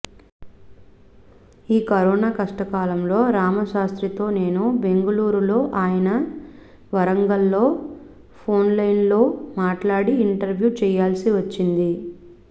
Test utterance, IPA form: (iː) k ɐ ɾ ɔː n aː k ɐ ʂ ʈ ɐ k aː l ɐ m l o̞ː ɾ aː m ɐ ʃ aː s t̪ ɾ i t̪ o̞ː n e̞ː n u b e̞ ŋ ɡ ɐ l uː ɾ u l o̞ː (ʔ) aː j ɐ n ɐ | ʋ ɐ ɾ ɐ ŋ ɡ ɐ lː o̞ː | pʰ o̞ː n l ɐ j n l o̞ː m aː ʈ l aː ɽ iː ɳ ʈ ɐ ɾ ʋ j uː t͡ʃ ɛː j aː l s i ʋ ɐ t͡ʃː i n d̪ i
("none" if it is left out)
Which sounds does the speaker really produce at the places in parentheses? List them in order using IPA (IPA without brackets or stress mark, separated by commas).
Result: iː, ʔ